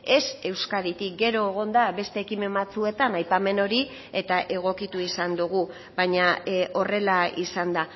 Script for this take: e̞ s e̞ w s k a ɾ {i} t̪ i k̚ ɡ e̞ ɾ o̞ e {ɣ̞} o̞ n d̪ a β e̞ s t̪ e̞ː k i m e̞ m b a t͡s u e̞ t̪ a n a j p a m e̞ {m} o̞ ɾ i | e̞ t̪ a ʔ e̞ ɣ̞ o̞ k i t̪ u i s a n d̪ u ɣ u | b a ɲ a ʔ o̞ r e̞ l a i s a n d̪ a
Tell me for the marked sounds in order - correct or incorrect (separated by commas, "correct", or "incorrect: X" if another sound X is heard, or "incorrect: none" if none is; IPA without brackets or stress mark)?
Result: correct, correct, incorrect: n